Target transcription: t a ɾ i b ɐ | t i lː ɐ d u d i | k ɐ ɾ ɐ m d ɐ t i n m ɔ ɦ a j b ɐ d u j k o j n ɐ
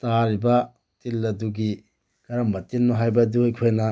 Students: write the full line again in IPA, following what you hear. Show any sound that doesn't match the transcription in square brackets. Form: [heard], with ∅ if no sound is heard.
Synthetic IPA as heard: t a ɾ i b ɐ | t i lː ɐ d u [ɡ] i | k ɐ ɾ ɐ m [b] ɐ t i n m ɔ ɦ a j b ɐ d u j [kʰ] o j n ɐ